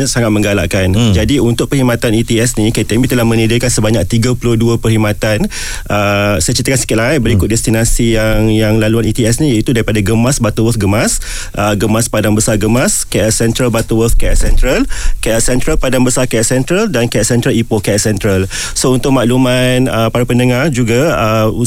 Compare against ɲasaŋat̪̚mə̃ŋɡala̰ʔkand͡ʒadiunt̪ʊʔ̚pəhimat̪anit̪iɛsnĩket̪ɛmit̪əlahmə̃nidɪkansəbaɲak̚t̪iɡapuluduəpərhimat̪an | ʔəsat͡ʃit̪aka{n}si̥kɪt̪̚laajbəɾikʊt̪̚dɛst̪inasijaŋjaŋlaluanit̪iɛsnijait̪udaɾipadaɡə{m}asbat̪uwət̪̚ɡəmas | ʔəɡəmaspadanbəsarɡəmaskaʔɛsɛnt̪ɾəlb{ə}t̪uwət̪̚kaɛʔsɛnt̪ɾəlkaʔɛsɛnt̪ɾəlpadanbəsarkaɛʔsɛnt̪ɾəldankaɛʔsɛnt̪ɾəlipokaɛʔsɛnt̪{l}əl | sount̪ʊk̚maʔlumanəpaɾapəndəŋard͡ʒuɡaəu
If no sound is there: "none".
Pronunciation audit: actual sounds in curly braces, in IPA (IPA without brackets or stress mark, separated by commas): n, m, a, ɾ